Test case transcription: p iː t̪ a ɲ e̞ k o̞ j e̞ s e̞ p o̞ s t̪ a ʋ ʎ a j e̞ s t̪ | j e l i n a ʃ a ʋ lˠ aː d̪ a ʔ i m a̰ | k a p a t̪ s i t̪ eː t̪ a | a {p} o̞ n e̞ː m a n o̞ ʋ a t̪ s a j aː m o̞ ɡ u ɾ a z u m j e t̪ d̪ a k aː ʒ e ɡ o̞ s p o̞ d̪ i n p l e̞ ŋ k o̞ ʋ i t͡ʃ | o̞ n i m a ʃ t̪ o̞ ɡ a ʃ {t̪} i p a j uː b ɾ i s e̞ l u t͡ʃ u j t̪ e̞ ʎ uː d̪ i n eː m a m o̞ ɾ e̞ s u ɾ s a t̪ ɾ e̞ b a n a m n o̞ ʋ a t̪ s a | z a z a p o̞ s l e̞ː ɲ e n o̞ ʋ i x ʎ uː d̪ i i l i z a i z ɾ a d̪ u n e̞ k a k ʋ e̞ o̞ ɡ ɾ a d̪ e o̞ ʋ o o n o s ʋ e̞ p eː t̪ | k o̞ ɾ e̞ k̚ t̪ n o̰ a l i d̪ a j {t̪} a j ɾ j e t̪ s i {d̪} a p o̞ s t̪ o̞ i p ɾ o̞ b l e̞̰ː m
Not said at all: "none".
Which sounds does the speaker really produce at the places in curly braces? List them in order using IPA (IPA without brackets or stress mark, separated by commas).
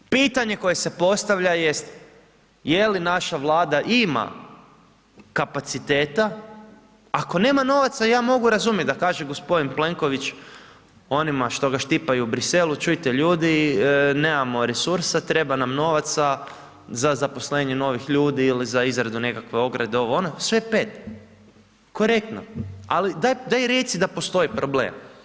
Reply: k, t̪, d̪, d̪